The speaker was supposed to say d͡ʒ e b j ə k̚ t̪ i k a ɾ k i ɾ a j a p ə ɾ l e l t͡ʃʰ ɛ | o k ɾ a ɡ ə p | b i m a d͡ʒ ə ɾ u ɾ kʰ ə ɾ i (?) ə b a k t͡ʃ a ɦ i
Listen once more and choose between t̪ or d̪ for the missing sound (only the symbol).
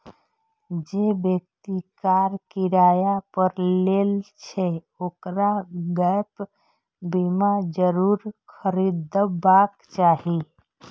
d̪